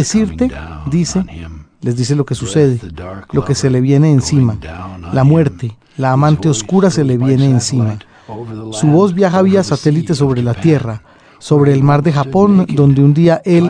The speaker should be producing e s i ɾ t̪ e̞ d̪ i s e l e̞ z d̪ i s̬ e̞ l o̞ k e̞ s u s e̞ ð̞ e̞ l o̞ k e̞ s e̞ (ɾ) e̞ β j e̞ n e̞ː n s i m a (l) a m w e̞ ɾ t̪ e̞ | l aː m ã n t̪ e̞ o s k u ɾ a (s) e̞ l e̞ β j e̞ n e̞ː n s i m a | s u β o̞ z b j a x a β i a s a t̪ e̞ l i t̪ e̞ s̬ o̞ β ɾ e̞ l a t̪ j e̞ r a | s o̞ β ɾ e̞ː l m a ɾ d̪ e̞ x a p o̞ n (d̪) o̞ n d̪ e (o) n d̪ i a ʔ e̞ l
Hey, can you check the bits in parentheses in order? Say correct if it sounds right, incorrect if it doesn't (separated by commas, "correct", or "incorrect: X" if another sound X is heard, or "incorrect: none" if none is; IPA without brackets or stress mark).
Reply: incorrect: l, correct, correct, correct, incorrect: u